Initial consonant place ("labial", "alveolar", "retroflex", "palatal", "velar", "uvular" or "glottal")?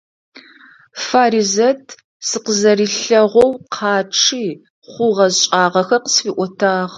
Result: labial